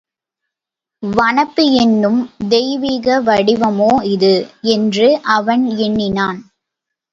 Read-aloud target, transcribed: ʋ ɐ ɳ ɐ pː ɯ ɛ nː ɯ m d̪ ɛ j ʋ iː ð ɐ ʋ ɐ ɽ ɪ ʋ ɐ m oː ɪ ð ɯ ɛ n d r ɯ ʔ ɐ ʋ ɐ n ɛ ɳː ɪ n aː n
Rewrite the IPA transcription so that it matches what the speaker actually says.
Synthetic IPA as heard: ʋ ɐ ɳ ɐ pː ɯ ɛ nː ɯ m d̪ ɛ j ʋ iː ɣ ɐ ʋ ɐ ɽ ɪ ʋ ɐ m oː ɪ ð ɯ ɛ n d r ɯ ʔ ɐ ʋ ɐ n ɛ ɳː ɪ n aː n